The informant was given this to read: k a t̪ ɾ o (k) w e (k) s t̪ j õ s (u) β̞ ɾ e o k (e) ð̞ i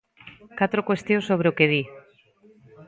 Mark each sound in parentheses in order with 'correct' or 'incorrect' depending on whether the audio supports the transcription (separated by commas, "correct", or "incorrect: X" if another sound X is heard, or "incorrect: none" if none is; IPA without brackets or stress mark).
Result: correct, incorrect: none, incorrect: o, correct